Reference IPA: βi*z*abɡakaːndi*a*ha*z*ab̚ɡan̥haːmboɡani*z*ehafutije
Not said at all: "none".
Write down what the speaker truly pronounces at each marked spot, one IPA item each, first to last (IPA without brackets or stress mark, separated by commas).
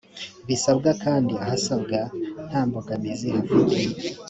s, a, s, z